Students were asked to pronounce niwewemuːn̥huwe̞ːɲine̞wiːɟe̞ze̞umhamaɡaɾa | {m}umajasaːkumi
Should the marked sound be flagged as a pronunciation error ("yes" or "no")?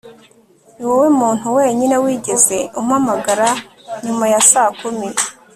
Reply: yes